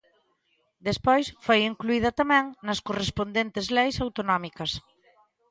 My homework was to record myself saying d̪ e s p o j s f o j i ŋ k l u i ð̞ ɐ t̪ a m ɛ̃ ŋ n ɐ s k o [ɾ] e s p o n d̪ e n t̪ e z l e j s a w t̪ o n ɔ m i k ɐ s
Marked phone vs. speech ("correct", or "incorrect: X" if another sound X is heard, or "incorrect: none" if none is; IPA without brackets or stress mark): incorrect: r